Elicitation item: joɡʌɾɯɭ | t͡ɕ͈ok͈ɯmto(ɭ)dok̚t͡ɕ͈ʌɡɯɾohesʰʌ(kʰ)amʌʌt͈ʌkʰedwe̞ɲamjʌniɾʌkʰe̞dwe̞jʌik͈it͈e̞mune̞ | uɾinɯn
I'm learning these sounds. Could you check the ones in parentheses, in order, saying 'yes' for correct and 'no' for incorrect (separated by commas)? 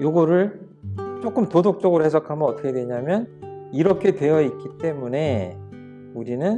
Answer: no, yes